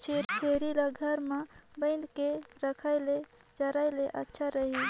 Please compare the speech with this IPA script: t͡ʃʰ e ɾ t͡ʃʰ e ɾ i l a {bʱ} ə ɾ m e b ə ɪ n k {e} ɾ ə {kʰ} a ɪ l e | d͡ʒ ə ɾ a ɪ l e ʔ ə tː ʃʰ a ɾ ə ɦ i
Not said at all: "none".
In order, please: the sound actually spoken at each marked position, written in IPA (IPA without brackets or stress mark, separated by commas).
ɡʱ, e, kʰ